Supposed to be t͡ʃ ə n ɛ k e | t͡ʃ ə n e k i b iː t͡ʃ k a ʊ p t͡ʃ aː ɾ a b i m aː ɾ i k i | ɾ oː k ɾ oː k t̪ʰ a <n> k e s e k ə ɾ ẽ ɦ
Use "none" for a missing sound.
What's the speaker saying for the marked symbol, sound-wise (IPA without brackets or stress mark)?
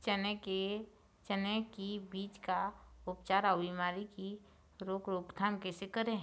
m